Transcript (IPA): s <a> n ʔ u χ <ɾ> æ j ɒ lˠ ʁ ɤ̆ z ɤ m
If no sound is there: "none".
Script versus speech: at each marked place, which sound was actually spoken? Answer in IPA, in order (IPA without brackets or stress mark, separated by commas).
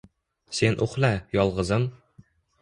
e, l